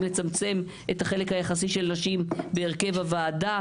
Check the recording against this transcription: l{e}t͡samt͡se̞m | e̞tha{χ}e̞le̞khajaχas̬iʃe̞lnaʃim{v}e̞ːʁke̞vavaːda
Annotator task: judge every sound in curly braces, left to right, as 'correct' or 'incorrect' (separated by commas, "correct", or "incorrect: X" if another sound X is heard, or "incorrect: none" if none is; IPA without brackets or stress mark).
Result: correct, correct, incorrect: b